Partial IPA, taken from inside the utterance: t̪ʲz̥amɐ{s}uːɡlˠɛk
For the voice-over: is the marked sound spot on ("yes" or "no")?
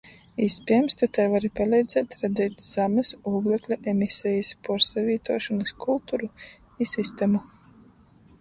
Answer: yes